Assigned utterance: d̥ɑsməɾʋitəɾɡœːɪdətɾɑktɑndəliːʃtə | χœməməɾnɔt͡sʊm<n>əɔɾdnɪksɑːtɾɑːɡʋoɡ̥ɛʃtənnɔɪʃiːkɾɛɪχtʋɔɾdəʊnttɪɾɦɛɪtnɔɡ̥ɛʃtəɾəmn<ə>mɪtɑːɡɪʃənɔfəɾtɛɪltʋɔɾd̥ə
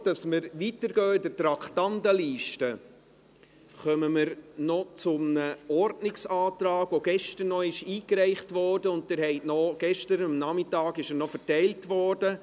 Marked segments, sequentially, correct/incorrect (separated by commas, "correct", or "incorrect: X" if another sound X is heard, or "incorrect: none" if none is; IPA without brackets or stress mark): correct, incorrect: ɑ